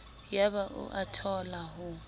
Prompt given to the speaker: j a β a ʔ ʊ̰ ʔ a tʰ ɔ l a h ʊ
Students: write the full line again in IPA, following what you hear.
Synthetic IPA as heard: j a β a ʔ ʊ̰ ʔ a tʰ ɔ l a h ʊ

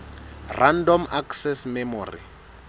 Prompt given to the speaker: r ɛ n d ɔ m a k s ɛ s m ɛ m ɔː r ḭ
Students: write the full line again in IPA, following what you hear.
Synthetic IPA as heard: r a n d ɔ m a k s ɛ s m ɛ m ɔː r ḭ

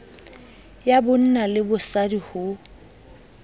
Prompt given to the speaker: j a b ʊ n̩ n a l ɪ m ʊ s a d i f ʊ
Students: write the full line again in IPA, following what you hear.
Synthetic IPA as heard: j a b ʊ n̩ n a l ɪ b ʊ s a d i h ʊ

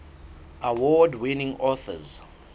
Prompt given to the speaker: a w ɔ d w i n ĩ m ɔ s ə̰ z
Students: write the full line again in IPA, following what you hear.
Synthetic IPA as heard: a w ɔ d w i n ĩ ŋ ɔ θ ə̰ z

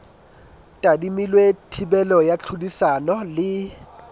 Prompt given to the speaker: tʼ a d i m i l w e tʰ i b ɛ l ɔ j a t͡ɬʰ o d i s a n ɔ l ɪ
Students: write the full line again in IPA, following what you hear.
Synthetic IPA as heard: tʼ a d i m i l w e tʰ i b ɛ l ɔ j a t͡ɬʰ u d i s a n ɔ l ɪ

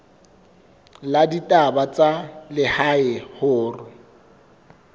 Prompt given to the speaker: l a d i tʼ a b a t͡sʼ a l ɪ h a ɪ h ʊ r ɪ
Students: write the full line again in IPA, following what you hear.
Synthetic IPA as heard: l a d i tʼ a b a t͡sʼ a l ɪ h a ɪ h ʊː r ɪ

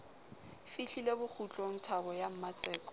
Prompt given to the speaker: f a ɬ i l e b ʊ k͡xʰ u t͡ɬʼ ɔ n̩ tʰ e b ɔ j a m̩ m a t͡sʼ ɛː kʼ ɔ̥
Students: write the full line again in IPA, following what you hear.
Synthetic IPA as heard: f i ɬ i l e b ʊ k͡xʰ u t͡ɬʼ ɔ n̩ tʰ a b ɔ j a m̩ m a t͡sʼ ɛː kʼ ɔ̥

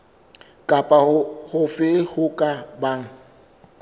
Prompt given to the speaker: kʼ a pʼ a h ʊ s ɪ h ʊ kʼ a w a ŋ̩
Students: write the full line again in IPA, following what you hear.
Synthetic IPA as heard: kʼ a pʼ a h ʊ f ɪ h ʊ kʼ a b a ŋ̩

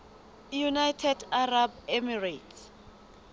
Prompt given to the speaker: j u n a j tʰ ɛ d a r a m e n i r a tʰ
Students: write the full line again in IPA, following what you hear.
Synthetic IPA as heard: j u n a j tʰ ɛ d a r a b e m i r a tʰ

